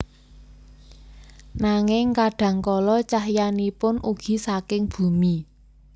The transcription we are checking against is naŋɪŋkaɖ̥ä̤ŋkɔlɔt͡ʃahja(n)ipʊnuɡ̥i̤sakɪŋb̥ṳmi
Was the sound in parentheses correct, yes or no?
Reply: yes